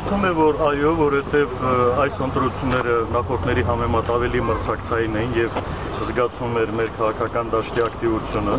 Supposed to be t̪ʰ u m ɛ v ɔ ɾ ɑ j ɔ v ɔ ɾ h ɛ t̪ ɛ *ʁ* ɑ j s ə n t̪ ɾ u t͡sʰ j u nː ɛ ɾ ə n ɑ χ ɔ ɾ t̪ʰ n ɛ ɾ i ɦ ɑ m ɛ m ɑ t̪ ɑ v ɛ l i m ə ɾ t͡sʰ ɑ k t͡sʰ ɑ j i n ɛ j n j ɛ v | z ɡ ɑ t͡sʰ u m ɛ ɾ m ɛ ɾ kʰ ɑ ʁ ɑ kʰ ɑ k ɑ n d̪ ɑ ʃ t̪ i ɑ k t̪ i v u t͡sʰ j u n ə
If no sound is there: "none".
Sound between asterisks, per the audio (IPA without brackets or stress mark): v